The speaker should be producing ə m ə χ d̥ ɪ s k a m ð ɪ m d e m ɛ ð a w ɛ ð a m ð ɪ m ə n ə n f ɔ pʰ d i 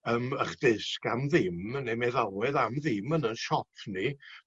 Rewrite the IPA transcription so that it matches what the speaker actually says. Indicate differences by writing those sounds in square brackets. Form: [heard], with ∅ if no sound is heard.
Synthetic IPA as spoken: ə m ə χ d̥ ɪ s k a m ð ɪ m [n] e m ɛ ð a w ɛ ð a m ð ɪ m ə n ə n [ʃ] ɔ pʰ [n] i